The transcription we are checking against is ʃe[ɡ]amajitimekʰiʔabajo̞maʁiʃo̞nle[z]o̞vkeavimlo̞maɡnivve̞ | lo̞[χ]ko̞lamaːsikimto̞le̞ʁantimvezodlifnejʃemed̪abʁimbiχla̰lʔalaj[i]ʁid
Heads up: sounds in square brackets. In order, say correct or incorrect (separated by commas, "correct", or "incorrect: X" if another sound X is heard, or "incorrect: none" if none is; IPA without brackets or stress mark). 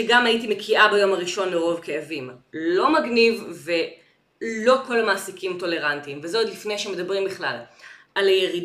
correct, incorrect: ʁ, incorrect: none, incorrect: e